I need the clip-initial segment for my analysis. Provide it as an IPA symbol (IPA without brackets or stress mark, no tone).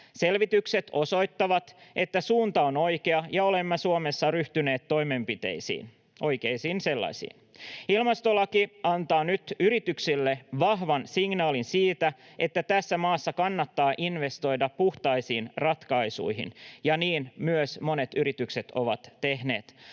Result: s